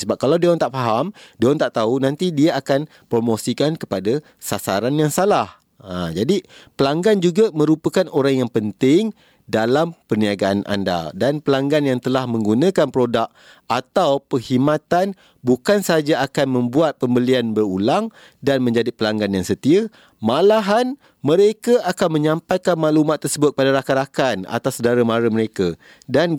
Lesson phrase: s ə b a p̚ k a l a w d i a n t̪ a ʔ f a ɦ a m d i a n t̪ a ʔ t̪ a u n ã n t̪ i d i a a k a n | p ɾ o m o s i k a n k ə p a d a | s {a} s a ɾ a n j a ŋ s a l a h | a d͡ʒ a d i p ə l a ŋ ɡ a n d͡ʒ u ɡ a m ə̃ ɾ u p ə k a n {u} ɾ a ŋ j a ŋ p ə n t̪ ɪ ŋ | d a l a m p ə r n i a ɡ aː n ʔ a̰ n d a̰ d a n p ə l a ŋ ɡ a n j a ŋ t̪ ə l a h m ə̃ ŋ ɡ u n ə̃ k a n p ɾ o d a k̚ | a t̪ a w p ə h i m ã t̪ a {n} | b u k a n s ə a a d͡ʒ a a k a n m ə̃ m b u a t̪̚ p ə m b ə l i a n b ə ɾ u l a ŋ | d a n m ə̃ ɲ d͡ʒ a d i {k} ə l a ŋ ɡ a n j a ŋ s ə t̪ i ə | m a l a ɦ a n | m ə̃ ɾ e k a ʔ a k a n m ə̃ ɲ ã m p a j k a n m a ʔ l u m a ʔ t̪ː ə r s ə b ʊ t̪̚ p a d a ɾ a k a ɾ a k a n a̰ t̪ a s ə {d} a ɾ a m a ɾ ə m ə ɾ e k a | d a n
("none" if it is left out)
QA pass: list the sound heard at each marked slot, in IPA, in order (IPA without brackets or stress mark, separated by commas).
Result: a, o, n, p, d